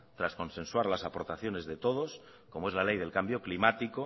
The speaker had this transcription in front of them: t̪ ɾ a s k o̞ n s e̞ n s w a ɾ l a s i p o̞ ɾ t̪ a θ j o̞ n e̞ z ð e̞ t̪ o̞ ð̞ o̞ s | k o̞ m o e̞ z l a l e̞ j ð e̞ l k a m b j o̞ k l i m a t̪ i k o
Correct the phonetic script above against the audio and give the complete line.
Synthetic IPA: t̪ ɾ a s k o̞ n s e̞ n s w a ɾ l a s a p o̞ ɾ t̪ a θ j o̞ n e̞ z ð e̞ t̪ o̞ ð̞ o̞ s | k o̞ m o e̞ z l a l e̞ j ð e̞ l k a m b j o̞ k l i m a t̪ i k o